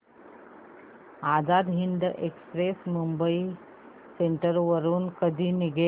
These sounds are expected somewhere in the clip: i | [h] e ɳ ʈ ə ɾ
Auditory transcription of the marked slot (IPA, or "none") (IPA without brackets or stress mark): s